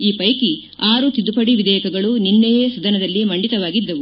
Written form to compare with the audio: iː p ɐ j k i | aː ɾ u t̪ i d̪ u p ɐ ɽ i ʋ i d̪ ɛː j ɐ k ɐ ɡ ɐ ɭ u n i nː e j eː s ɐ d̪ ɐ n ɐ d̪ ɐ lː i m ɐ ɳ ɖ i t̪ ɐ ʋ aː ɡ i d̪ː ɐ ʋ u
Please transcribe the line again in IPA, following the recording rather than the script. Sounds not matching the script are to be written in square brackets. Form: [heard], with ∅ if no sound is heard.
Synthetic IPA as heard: iː p ɐ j k i | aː ɾ u t̪ i d̪ u p ɐ ɽ i ʋ i d̪ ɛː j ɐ k ɐ ɡ ɐ ɭ u n i nː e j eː s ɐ d̪ ɐ n ɐ d̪ ɐ lː i m ɐ ɳ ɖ i t̪ ɐ ʋ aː ɡ i d̪ː ɐ ʋ u